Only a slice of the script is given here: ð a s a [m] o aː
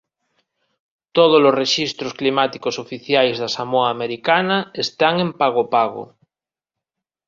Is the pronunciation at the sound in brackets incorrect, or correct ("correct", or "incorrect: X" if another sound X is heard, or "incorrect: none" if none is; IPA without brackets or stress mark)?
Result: correct